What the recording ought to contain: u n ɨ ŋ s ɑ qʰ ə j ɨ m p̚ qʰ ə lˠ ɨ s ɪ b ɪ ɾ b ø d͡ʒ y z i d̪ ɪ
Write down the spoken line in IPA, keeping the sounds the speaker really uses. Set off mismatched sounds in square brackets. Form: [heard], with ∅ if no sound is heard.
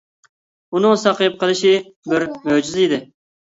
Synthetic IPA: u n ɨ ŋ s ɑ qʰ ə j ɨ [∅] p̚ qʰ ə lˠ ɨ [ʃ] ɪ b ɪ ɾ [m] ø d͡ʒ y z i d̪ ɪ